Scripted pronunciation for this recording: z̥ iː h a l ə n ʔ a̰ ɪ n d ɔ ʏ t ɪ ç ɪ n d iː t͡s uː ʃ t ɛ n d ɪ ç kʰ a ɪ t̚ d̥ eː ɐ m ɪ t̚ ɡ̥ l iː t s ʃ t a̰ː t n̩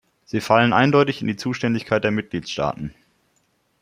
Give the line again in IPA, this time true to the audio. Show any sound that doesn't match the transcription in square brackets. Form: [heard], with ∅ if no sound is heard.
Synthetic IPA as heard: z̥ iː [f] a l ə n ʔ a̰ ɪ n d ɔ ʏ t ɪ ç ɪ n d iː t͡s uː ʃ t ɛ n d ɪ ç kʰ a ɪ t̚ d̥ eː ɐ m ɪ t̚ ɡ̥ l iː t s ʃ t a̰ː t n̩